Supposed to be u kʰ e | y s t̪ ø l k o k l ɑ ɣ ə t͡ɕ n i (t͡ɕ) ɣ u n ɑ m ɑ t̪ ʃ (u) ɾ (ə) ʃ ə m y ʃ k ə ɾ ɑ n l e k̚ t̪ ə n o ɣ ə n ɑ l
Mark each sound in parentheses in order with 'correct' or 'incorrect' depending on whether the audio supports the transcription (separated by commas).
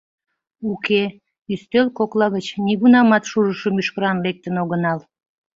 incorrect, correct, correct